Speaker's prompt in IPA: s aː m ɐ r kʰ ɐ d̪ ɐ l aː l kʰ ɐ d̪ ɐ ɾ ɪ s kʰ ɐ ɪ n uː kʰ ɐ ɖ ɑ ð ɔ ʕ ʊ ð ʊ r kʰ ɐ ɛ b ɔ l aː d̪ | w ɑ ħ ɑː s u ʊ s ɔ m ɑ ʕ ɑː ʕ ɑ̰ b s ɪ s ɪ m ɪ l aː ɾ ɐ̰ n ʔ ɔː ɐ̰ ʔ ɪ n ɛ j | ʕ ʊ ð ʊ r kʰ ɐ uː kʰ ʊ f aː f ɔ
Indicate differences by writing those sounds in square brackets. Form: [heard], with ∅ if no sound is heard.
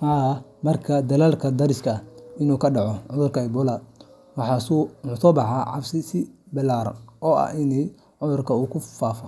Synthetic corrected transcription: [h] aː m ɐ r kʰ ɐ d̪ ɐ l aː l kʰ ɐ d̪ ɐ ɾ ɪ s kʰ ɐ ɪ n uː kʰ ɐ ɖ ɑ [ʕ] ɔ ʕ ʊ ð ʊ r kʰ ɐ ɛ b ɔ l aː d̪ | w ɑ ħ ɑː s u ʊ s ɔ [b] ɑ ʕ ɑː ʕ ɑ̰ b s ɪ s ɪ [b] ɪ l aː ɾ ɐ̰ n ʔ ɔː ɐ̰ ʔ ɪ n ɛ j | ʕ ʊ ð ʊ r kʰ ɐ uː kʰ ʊ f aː f ɔ